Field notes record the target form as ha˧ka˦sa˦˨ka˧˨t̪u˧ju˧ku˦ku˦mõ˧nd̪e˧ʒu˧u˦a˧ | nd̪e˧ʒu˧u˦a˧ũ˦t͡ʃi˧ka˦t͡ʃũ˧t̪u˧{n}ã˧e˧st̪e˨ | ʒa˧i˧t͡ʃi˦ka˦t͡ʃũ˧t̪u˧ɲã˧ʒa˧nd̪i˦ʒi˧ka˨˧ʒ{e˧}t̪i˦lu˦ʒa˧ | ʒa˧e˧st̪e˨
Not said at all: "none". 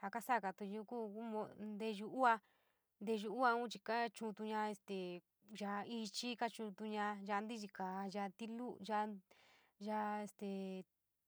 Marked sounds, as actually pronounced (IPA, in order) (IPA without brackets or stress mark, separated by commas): ɲ, a˧